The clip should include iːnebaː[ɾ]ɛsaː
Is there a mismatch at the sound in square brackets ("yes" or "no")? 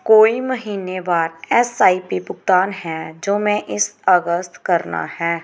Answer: no